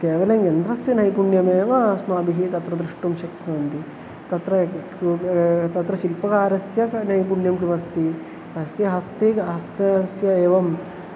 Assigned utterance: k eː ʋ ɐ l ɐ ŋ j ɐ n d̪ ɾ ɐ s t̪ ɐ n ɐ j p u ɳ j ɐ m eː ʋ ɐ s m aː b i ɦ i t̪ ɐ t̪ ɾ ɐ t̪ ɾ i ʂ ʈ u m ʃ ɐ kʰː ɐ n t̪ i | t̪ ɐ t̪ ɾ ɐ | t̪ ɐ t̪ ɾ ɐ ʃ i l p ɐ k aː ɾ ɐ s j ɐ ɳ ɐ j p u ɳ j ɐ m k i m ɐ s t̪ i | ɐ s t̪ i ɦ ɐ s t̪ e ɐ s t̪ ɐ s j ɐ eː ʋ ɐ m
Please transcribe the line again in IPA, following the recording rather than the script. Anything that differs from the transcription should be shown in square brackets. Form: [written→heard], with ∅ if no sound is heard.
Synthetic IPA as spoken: k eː ʋ ɐ l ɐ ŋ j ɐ n d̪ ɾ ɐ s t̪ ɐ n ɐ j p u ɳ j ɐ m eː ʋ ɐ s m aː b i ɦ i t̪ ɐ t̪ ɾ ɐ [t̪→d̪] ɾ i ʂ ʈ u m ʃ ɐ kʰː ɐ n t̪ i | t̪ ɐ t̪ ɾ ɐ | t̪ ɐ t̪ ɾ ɐ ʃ i l p ɐ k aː ɾ ɐ s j ɐ [ɳ→n] ɐ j p u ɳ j ɐ m k i m ɐ s t̪ i | ɐ s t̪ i ɦ ɐ s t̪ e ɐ s t̪ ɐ s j ɐ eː ʋ ɐ m